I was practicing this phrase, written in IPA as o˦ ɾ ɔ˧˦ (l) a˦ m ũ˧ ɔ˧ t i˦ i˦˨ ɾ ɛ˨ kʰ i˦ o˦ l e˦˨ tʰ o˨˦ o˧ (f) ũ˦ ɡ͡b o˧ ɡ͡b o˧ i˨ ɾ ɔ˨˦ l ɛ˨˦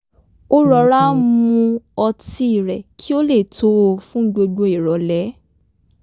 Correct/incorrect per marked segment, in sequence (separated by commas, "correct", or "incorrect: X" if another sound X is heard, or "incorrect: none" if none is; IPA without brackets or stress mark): incorrect: ɾ, correct